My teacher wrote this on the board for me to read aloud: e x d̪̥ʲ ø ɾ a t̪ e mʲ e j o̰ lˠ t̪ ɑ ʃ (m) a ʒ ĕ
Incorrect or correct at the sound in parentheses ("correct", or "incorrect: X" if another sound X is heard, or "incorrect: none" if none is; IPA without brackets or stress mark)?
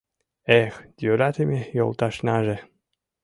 incorrect: n